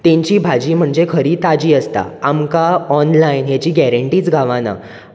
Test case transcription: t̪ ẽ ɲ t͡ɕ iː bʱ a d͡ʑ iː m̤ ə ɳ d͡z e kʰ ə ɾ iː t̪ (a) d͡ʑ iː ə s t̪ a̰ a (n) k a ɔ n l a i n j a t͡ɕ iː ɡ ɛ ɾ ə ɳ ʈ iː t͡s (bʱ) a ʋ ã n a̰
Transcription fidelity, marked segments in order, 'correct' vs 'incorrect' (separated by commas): correct, incorrect, incorrect